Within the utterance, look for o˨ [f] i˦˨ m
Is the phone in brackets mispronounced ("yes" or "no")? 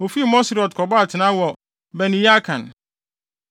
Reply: no